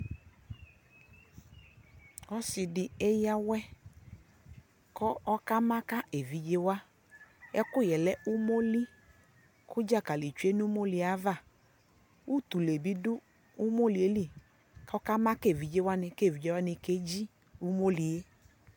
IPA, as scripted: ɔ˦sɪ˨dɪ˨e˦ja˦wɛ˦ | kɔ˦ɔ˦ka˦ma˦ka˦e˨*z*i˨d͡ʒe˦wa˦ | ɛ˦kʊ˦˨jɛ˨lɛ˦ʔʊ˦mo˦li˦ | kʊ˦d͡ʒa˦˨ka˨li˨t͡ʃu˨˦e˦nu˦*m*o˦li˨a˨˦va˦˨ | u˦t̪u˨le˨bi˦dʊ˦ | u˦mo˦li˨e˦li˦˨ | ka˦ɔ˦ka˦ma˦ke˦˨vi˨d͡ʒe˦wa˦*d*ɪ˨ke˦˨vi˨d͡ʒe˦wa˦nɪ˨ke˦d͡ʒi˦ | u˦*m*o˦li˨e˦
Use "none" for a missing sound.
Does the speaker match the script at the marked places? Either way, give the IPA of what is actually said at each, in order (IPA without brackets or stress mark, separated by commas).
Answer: v, m, n, m